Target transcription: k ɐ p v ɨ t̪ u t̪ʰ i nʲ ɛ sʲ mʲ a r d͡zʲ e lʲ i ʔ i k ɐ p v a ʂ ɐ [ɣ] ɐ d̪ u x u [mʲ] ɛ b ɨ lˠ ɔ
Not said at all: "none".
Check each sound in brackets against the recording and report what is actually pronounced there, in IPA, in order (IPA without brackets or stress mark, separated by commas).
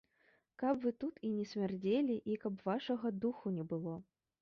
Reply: ɣ, nʲ